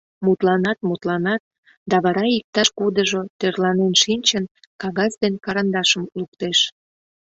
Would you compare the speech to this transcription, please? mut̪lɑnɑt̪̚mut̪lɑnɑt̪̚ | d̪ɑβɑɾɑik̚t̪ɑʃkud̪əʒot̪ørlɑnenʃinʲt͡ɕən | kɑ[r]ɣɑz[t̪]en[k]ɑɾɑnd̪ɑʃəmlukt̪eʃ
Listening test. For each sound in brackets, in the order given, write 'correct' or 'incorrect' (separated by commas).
incorrect, incorrect, correct